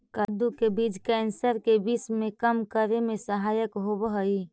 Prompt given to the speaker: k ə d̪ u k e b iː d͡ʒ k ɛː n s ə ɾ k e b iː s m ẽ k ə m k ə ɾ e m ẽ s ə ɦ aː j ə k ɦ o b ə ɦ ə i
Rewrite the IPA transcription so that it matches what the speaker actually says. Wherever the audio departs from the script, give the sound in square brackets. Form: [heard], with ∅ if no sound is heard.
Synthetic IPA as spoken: k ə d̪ u k e b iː d͡ʒ k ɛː n s ə ɾ k e b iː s m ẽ k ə m k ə ɾ e m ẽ s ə ɦ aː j ə k ɦ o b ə ɦ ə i